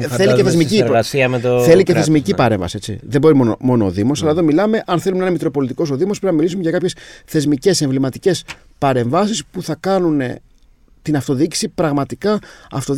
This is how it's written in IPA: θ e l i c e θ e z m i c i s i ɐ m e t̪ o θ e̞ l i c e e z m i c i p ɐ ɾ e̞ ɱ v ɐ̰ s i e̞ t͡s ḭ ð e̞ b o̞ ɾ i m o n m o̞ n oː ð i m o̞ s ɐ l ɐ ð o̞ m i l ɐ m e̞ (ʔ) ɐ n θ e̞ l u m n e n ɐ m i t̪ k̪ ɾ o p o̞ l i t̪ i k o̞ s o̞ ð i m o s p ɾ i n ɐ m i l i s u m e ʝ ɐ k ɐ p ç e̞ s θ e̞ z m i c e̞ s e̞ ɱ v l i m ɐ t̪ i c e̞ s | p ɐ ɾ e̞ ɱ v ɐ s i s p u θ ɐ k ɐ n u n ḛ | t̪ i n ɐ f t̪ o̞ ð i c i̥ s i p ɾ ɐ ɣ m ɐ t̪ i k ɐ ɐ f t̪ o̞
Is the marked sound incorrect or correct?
correct